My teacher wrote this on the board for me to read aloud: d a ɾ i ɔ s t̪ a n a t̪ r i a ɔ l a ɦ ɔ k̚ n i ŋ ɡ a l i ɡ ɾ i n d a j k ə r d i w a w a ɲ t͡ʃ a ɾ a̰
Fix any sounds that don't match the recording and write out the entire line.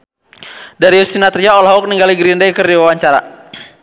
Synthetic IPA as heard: d a ɾ i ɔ s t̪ i n a t̪ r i a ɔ l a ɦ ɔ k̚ n i ŋ ɡ a l i ɡ ɾ i n d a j k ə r d i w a w a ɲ t͡ʃ a ɾ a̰